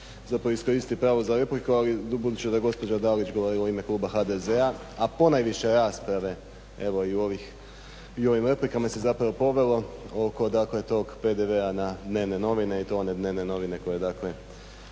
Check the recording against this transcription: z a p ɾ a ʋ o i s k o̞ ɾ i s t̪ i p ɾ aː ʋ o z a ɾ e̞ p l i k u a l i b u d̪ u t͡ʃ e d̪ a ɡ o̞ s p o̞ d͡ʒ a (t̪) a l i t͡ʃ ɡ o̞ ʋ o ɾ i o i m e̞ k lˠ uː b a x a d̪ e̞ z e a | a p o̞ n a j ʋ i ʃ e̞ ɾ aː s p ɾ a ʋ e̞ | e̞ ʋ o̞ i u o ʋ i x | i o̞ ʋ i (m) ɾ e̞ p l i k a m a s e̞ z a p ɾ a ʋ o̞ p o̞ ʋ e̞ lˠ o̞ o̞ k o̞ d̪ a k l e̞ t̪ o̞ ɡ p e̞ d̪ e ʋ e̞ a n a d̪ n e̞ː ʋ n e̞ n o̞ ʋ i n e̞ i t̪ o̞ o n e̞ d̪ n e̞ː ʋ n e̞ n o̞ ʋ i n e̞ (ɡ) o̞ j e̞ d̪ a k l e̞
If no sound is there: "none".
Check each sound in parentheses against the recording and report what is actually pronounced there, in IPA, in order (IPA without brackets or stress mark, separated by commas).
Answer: d̪, m, k